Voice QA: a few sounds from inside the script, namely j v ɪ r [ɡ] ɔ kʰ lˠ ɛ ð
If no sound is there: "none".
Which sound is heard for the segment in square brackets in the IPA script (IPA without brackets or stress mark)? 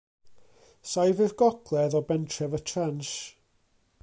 ɡ